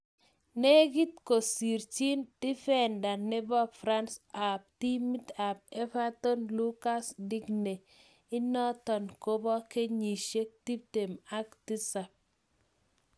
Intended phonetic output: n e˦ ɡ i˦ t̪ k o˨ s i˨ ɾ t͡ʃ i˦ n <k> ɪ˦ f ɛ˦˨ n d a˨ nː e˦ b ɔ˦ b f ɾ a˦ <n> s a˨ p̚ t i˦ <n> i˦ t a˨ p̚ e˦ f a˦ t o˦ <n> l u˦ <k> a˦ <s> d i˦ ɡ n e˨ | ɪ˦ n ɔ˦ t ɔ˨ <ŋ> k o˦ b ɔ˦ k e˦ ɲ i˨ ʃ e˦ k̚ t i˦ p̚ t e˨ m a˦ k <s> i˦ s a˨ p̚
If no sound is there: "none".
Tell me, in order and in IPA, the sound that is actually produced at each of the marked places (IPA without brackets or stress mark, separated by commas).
t, n, m, n, k, s, n, t